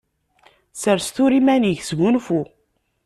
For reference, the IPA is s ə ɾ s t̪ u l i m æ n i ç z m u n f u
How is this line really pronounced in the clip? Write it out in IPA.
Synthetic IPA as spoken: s ə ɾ s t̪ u ɾ i m æ n i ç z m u n f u